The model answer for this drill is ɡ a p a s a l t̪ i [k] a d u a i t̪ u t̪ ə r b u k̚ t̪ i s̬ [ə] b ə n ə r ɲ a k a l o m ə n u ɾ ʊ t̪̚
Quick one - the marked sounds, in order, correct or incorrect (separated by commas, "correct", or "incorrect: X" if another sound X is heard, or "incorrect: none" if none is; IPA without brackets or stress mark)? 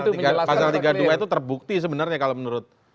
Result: incorrect: ɡ, correct